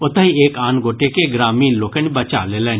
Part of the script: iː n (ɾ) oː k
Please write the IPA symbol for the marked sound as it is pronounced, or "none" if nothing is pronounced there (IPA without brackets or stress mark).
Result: l